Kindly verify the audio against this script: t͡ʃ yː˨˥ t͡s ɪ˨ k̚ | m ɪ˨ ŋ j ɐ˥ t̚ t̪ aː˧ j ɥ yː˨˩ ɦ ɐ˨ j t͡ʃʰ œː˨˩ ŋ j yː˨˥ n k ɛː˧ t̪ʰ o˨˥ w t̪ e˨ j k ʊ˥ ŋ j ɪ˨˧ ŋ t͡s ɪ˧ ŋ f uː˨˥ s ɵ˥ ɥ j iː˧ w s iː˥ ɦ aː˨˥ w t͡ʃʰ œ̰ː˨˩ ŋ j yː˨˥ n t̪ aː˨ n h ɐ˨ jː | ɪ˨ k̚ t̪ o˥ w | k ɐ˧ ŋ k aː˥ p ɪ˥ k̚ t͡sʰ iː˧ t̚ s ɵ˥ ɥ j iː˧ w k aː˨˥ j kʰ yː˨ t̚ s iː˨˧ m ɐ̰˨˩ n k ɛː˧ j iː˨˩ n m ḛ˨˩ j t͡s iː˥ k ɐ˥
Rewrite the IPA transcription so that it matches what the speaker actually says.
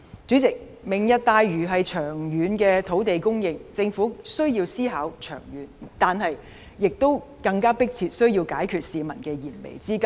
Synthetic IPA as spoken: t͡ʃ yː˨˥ t͡s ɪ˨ k̚ | m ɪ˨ ŋ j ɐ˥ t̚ t̪ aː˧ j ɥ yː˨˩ ɦ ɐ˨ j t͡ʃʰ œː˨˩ ŋ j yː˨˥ n k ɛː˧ t̪ʰ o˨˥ w t̪ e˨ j k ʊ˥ ŋ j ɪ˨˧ ŋ t͡s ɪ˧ ŋ f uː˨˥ s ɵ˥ ɥ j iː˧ w s iː˥ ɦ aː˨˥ w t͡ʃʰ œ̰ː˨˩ ŋ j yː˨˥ n t̪ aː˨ n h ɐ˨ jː | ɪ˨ k̚ t̪ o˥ w | k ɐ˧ ŋ k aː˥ p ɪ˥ k̚ t͡sʰ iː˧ t̚ s ɵ˥ ɥ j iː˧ w k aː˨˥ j kʰ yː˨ t̚ s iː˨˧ m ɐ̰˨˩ n k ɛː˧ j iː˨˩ n m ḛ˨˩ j t͡s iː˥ k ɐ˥

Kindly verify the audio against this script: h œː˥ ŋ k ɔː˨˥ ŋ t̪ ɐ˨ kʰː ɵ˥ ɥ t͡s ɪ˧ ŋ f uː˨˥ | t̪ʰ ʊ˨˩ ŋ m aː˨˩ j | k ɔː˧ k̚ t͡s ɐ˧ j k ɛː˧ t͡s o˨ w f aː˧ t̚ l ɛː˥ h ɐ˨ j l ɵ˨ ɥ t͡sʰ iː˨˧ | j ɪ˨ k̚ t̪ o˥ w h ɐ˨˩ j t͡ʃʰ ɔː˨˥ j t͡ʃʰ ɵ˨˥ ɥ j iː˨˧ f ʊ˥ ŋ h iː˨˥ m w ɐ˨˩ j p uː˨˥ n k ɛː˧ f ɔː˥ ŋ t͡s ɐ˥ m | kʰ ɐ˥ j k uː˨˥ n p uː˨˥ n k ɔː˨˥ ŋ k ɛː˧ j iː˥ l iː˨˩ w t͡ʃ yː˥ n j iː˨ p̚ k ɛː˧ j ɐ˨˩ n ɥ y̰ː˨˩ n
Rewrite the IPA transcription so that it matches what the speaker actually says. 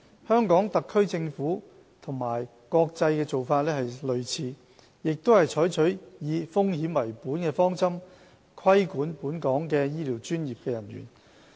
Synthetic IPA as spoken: h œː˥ ŋ k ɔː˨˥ ŋ t̪ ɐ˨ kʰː ɵ˥ ɥ t͡s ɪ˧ ŋ f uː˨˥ | t̪ʰ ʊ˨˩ ŋ m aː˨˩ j | k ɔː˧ k̚ t͡s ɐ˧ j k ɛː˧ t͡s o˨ w f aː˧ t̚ l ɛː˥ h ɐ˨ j l ɵ˨ ɥ t͡sʰ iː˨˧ | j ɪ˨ k̚ t̪ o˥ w h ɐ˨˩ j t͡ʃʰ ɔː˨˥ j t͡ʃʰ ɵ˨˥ ɥ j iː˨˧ f ʊ˥ ŋ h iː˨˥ m w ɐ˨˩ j p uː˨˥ n k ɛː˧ f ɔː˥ ŋ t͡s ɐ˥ m | kʰ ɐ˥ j k uː˨˥ n p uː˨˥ n k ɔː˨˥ ŋ k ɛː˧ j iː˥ l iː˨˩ w t͡ʃ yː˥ n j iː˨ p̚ k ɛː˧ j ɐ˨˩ n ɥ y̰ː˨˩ n

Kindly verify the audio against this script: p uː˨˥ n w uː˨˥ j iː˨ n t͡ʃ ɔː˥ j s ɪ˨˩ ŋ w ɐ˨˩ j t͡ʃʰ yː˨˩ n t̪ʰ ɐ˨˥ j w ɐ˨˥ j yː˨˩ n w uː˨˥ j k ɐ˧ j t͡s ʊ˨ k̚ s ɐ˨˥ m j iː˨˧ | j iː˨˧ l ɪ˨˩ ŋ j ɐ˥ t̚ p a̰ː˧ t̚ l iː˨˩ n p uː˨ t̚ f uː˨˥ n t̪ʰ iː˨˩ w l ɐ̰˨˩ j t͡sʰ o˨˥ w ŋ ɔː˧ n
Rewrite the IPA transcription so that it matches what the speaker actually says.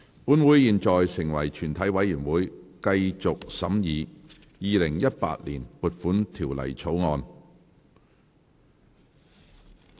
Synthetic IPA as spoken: p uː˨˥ n w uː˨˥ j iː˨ n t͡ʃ ɔː˨ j s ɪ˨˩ ŋ w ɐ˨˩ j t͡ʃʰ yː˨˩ n t̪ʰ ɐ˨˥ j w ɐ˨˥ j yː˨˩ n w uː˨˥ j k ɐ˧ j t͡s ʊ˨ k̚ s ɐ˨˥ m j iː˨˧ | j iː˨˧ l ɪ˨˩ ŋ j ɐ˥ t̚ p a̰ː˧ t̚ l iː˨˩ n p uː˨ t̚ f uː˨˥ n t̪ʰ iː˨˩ w l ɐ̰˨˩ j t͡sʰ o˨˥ w ŋ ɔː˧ n

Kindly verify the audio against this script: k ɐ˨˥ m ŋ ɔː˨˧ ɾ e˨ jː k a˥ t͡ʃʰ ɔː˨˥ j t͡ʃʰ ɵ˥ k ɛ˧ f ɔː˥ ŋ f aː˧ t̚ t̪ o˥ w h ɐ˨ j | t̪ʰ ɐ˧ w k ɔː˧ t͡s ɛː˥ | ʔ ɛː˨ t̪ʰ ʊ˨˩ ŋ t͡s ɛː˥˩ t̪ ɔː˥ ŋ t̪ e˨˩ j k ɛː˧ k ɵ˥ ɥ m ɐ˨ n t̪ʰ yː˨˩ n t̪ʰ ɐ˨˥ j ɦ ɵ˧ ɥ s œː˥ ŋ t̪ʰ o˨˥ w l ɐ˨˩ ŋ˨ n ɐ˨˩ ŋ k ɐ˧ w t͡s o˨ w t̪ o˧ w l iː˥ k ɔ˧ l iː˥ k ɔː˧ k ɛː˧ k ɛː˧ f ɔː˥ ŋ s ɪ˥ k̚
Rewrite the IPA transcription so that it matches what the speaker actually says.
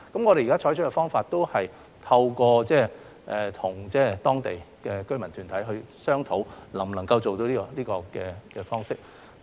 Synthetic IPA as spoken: k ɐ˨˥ m ŋ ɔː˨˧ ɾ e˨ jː k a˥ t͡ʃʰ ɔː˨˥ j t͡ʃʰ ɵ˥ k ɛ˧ f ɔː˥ ŋ f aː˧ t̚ t̪ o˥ w h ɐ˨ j | t̪ʰ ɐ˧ w k ɔː˧ t͡s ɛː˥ | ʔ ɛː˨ t̪ʰ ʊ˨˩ ŋ t͡s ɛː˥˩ t̪ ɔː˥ ŋ t̪ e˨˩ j k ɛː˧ k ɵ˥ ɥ m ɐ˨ n t̪ʰ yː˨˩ n t̪ʰ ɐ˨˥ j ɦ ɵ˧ ɥ s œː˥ ŋ t̪ʰ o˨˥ w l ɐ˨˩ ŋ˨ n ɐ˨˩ ŋ k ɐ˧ w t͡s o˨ w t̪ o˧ w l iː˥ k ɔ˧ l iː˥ k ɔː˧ k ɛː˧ k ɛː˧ f ɔː˥ ŋ s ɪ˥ k̚

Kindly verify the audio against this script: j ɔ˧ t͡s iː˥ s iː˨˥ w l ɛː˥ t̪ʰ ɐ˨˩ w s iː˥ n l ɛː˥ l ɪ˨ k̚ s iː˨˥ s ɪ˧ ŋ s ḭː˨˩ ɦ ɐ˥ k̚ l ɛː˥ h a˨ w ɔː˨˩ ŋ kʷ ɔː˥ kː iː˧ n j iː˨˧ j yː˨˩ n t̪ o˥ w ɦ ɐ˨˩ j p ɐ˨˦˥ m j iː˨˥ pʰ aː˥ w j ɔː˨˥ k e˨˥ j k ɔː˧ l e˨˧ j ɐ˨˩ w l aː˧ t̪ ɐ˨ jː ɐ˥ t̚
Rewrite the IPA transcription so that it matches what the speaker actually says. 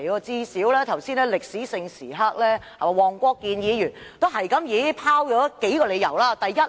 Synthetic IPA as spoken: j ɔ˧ t͡s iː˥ s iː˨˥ w l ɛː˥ t̪ʰ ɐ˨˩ w s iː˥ n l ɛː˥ l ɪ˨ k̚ s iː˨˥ s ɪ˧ ŋ s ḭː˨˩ ɦ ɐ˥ k̚ l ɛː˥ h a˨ w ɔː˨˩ ŋ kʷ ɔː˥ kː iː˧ n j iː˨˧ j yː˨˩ n t̪ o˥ w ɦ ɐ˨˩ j k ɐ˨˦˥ m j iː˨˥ pʰ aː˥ w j ɔː˨˥ k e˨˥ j k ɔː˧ l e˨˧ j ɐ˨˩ w l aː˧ t̪ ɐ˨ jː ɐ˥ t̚

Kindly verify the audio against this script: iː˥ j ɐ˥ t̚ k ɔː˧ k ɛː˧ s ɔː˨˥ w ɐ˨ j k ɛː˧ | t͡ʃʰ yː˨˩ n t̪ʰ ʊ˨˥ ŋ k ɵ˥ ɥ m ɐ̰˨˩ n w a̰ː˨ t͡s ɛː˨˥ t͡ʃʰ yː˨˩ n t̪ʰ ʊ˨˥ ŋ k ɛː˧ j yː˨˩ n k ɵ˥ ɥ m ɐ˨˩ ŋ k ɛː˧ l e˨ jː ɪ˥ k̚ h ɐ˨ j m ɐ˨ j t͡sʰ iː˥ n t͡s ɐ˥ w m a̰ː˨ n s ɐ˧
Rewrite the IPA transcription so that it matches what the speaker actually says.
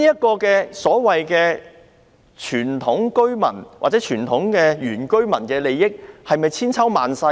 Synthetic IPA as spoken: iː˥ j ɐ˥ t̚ k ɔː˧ k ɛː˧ s ɔː˨˥ w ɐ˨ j k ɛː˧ | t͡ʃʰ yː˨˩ n t̪ʰ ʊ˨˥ ŋ k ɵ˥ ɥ m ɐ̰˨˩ n w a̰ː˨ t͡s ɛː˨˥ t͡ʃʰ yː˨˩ n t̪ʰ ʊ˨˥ ŋ k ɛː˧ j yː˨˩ n k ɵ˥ ɥ m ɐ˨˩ n k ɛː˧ l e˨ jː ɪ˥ k̚ h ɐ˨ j m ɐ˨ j t͡sʰ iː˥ n t͡sʰ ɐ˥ w m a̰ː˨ n s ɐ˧

